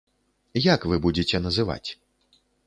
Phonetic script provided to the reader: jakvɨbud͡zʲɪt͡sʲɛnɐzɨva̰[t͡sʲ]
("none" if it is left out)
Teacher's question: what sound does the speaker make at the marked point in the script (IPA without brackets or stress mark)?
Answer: t͡sʲ